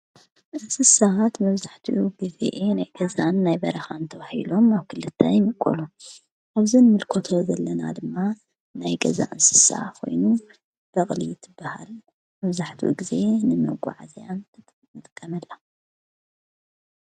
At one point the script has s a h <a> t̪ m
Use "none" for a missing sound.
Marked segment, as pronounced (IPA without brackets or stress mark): a